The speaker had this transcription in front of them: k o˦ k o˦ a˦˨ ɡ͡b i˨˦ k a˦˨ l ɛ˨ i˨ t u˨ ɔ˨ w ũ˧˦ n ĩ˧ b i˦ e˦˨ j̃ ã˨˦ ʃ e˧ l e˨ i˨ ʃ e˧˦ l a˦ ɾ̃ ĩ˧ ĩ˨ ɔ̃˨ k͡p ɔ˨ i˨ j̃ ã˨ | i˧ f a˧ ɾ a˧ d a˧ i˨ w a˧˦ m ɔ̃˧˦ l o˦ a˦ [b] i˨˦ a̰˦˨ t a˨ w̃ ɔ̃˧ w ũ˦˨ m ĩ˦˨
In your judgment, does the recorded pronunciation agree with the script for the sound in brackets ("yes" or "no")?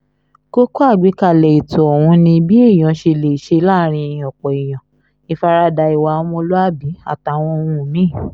yes